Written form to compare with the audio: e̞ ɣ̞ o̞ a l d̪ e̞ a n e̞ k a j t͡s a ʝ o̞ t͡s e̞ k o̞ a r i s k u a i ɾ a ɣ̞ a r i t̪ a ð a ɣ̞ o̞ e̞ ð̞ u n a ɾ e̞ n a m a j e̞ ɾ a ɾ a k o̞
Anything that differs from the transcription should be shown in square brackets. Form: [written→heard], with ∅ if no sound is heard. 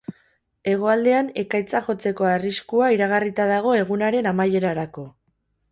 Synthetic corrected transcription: e̞ ɣ̞ o̞ a l d̪ e̞ a n e̞ k a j t͡s a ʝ o̞ t͡s e̞ k o̞ a r i s k u a i ɾ a ɣ̞ a r i t̪ a ð a ɣ̞ o̞ e̞ [ð̞→ɣ̞] u n a ɾ e̞ n a m a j e̞ ɾ a ɾ a k o̞